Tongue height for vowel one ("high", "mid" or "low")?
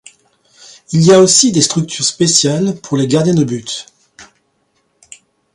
high